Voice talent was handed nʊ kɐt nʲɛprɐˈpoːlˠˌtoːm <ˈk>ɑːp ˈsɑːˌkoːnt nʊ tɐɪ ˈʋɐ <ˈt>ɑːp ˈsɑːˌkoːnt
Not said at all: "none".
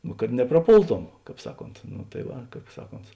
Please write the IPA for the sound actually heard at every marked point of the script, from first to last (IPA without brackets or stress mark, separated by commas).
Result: k, k